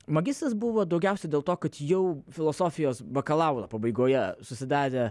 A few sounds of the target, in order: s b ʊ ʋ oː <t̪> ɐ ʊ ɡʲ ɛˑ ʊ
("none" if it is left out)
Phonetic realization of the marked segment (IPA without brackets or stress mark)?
d̪